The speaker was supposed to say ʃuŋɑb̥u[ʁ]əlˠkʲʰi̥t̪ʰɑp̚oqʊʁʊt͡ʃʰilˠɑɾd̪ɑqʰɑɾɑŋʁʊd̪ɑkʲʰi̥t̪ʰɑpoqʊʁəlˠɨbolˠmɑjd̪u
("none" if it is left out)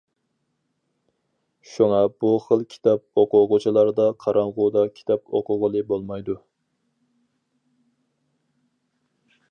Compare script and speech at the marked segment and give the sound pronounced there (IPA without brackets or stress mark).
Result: χ